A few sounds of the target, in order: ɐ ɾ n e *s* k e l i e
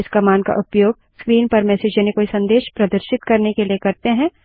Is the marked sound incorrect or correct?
incorrect